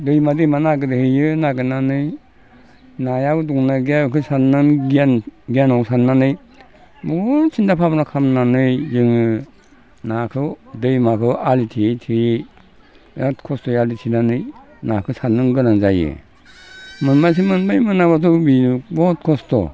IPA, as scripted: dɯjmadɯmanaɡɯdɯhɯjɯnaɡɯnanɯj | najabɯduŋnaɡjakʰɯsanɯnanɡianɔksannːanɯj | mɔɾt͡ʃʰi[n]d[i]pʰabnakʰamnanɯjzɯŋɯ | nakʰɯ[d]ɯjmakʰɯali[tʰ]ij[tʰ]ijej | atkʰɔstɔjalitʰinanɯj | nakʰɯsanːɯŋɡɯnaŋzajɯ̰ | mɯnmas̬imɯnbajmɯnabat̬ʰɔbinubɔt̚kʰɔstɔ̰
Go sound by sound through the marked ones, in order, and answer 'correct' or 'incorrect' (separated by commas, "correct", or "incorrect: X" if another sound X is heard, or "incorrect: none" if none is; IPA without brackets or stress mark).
correct, incorrect: a, correct, correct, correct